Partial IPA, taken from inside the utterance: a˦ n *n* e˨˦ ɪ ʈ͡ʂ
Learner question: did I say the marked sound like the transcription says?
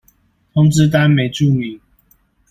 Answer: no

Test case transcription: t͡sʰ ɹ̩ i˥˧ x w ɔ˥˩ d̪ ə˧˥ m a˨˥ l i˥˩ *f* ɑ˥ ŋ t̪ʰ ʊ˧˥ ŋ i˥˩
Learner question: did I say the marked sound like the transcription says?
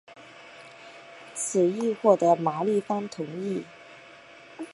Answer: yes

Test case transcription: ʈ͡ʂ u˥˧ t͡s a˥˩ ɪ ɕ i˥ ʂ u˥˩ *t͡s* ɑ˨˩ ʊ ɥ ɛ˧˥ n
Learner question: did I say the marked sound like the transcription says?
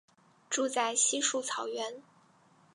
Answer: no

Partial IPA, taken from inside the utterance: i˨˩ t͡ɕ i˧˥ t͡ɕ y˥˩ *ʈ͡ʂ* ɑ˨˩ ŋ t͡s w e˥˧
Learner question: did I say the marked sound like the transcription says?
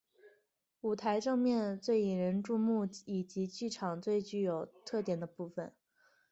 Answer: no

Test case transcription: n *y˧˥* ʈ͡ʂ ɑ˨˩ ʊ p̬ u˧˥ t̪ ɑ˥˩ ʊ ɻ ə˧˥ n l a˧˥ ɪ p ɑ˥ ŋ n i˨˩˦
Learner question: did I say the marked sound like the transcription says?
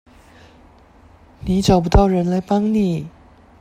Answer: no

